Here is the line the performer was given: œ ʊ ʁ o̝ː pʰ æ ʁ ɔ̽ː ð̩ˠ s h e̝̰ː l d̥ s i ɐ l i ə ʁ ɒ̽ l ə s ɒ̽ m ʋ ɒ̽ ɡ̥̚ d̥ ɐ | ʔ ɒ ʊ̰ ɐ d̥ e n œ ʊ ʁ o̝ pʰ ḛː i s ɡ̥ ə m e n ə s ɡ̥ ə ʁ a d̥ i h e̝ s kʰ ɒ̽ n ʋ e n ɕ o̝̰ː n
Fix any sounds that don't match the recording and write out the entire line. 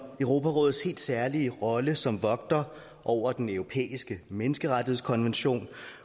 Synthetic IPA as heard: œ ʊ ʁ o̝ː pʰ æ ʁ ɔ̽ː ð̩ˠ s h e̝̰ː l d̥ s æ ɐ l i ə ʁ ɒ̽ l ə s ɒ̽ m ʋ ɒ̽ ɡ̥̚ d̥ ɐ | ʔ ɒ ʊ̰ ɐ d̥ e n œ ʊ ʁ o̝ pʰ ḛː i s ɡ̥ ə m e n ə s ɡ̥ ə ʁ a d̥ i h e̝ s kʰ ɒ̽ n ʋ e n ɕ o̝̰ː n